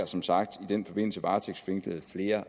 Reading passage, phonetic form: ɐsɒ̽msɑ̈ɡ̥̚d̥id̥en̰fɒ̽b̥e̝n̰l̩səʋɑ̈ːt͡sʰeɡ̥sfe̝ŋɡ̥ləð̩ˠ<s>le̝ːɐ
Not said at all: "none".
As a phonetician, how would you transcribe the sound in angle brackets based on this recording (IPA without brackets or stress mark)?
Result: f